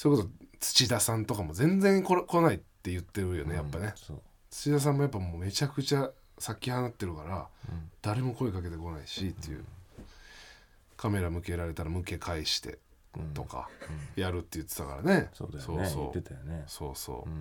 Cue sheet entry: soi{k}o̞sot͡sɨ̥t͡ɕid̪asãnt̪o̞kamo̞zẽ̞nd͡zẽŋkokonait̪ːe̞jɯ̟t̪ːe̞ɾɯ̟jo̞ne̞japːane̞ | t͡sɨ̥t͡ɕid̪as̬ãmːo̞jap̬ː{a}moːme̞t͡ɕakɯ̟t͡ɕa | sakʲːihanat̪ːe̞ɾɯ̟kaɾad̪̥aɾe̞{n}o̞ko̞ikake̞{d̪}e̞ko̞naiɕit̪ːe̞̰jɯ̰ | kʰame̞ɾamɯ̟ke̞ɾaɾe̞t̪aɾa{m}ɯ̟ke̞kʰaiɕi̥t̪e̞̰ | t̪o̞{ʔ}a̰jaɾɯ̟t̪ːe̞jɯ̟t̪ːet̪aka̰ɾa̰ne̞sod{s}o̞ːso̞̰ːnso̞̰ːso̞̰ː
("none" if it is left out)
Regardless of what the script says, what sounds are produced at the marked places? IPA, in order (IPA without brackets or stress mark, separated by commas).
k, a, m, t̪, m, k, s